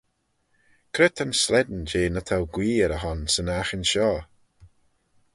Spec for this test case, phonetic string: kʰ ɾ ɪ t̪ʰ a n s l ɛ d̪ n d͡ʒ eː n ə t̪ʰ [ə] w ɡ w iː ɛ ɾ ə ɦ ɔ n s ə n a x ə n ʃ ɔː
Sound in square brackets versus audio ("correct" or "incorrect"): incorrect